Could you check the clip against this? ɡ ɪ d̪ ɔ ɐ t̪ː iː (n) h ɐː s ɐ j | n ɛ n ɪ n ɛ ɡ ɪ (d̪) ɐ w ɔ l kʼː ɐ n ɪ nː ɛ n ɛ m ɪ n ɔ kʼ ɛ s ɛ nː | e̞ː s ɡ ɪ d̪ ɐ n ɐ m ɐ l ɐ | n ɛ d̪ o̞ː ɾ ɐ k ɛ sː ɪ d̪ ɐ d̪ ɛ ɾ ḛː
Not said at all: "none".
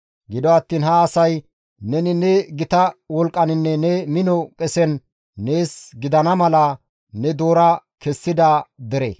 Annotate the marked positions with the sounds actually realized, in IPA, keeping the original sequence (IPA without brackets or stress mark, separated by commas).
n, t̪